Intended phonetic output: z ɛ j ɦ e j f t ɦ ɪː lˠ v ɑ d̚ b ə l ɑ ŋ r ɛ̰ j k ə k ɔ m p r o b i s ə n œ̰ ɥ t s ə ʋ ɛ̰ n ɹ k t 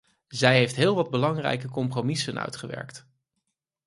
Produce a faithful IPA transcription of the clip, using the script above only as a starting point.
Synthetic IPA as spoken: z ɛ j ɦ e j f t ɦ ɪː lˠ ʋ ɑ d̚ b ə l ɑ ŋ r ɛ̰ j k ə k ɔ m p r o m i s ə n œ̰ ɥ t χ ə ʋ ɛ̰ ɹ k t